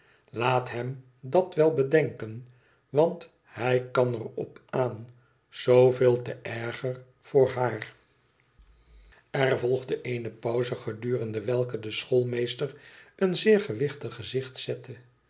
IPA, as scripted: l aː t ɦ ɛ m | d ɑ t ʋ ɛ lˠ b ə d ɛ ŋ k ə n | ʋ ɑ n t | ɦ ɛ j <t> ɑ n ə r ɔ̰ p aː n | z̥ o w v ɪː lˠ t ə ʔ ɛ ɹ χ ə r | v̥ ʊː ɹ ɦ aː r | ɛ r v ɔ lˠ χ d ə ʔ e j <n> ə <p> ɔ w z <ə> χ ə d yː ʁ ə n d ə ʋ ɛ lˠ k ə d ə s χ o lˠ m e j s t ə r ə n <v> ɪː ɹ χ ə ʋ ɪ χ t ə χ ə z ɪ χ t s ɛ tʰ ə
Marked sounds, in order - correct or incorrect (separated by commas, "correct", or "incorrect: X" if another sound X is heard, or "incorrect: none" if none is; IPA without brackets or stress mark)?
incorrect: k, correct, correct, correct, incorrect: z